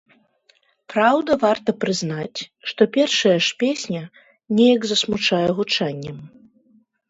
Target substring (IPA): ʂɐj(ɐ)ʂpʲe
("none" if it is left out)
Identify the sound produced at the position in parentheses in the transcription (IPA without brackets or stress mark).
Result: ɐ